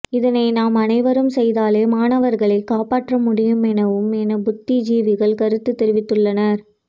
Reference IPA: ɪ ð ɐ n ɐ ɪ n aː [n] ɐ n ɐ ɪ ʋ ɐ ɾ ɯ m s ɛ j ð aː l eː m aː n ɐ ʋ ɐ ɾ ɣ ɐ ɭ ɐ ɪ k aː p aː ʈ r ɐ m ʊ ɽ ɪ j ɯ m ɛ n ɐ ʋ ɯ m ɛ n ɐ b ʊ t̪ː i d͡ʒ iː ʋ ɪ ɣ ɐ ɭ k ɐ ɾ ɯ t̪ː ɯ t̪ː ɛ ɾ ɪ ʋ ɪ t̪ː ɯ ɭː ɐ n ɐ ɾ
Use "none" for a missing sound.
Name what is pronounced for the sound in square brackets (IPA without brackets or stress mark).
m